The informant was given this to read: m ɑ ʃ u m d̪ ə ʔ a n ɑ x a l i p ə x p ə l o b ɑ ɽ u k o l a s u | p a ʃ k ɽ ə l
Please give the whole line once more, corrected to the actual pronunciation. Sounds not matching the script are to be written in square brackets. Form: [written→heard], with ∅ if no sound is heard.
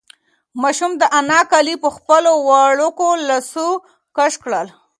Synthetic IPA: m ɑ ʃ u m d̪ ə ʔ a n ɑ [x→k] a l i p ə x p ə l o [b→w] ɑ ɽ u k o l a s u | [p→k] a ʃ k ɽ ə l